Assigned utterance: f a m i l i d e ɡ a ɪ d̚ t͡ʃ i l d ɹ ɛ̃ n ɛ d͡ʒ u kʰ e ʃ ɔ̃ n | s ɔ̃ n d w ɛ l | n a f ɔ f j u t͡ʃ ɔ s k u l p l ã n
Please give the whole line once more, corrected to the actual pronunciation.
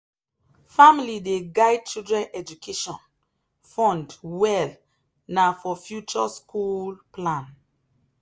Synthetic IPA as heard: f a m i l i d e ɡ a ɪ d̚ t͡ʃ i l d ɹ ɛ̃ n ɛ d͡ʒ u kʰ e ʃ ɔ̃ n | f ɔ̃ n d w ɛ l | n a f ɔ f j u t͡ʃ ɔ s k u l p l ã n

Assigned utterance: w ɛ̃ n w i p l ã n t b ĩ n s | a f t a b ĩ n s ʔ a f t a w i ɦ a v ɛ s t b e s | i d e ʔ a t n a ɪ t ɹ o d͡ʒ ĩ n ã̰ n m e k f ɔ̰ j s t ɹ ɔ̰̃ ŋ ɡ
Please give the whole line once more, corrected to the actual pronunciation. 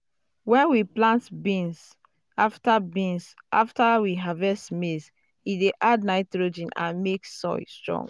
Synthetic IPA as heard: w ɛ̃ n w i p l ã n t b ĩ n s | a f t a b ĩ n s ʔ a f t a w i ɦ a v ɛ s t m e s | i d e ʔ a d n a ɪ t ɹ o d͡ʒ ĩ n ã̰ n m e k s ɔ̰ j s t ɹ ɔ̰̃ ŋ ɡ

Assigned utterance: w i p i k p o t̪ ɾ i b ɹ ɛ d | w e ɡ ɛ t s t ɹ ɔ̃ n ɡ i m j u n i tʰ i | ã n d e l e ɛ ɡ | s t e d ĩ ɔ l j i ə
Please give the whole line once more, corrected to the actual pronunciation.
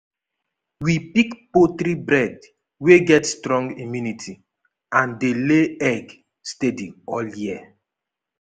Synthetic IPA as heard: w i p i k p o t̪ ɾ i b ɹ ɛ d | w e ɡ ɛ t s t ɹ ɔ̃ ŋ ɡ i m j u n i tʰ i | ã n d e l e ɛ ɡ | s t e d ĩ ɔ l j i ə

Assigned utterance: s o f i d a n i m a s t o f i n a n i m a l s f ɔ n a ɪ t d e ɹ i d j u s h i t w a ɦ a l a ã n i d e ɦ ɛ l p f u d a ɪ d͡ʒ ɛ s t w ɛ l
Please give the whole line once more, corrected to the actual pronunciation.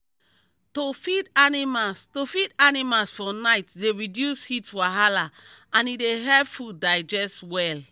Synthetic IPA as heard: t o f i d a n i m a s t o f i d a n i m a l s f ɔ n a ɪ t d e ɹ i d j u s h i t w a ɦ a l a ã n i d e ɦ ɛ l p f u d a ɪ d͡ʒ ɛ s t w ɛ l

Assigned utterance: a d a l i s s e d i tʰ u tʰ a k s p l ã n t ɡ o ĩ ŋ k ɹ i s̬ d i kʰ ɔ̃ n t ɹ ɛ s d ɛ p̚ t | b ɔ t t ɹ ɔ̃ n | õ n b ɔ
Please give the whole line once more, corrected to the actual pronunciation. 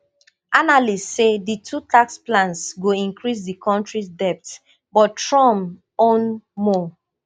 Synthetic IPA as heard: a n a l i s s e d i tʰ u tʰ a k s p l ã n s ɡ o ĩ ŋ k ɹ i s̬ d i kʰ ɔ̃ n t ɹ i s d ɛ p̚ t | b ɔ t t ɹ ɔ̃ m | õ n m ɔ

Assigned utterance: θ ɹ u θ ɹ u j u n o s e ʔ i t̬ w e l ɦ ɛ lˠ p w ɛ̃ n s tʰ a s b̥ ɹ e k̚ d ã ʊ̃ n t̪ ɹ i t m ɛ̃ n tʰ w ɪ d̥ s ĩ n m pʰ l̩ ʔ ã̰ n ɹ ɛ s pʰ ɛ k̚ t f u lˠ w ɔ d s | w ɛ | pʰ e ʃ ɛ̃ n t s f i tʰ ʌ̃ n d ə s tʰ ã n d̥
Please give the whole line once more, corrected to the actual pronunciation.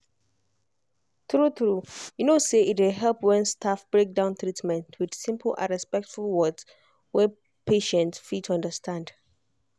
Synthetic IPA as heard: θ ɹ u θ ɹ u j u n o s e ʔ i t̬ w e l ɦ ɛ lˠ p w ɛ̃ n s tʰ a f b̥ ɹ e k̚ d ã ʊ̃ n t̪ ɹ i t m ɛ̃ n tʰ w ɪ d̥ s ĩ m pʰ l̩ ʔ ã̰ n ɹ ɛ s p ɛ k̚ t f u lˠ w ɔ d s | w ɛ | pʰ e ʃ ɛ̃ n t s f i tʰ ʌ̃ n d ə s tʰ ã n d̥

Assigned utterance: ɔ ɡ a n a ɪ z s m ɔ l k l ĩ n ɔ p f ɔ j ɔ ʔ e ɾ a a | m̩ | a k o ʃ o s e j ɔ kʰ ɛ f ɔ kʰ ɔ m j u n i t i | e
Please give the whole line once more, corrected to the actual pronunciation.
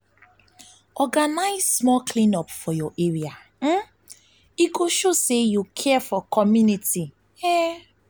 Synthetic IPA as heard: ɔ ɡ a n a ɪ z s m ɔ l k l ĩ n ɔ p f ɔ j ɔ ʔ e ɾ i a | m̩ | i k o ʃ o s e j u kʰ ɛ f ɔ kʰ ɔ m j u n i t i | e

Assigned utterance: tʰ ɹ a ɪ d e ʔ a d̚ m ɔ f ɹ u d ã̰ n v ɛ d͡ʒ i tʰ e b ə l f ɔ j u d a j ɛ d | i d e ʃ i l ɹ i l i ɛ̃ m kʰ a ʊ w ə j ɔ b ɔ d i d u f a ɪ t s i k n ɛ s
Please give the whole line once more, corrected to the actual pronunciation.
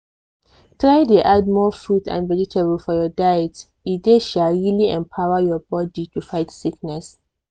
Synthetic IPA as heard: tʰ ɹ a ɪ d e ʔ a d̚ m ɔ f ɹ u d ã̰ n v ɛ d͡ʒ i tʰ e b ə l f ɔ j ɔ d a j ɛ t | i d e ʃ a l ɹ i l i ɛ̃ m pʰ a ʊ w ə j ɔ b ɔ d i t u f a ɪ t s i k n ɛ s

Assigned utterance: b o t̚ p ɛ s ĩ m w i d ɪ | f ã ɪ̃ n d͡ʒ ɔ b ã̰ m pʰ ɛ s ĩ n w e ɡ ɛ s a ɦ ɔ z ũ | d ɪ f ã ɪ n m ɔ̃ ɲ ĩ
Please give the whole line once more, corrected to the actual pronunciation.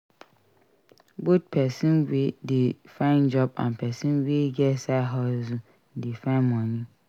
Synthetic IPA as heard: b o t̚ pʰ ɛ s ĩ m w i d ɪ | f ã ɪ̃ n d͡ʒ ɔ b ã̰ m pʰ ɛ s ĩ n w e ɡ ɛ s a ɦ ɔ z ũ | d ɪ f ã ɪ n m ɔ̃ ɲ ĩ

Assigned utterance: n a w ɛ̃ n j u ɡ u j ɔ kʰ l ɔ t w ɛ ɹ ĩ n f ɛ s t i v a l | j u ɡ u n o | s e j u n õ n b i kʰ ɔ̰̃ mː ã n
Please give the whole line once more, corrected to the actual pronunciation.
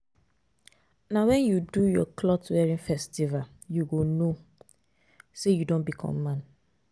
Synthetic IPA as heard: n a w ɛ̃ n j u d u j ɔ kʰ l ɔ t w ɛ ɹ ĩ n f ɛ s t i v a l | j u ɡ o n o | s e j u d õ n b i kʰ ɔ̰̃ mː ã n

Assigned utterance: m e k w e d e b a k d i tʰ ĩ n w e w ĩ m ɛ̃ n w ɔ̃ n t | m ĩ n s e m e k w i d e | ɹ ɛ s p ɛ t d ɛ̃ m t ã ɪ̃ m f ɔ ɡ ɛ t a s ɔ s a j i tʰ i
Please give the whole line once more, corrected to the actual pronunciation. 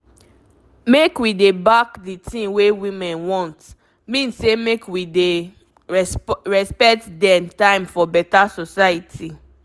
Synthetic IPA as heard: m e k w i d e b a k d i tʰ ĩ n w e w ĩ m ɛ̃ n w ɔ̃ n t | m ĩ n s e m e k w i d e | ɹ ɛ s p ɛ t d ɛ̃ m t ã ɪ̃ m f ɔ b ɛ t a s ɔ s a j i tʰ i

